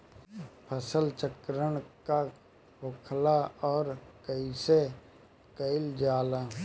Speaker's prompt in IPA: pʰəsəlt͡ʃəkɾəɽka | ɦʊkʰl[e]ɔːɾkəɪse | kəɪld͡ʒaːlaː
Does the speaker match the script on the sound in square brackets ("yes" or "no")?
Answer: no